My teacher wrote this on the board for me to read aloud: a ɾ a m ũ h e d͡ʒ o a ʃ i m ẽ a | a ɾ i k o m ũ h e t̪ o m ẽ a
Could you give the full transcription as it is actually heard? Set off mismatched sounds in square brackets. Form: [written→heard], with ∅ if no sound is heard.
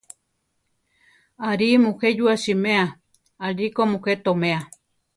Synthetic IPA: a ɾ [a→i] m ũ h e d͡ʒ [o→u] a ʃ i m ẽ a | a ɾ i k o m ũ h e t̪ o m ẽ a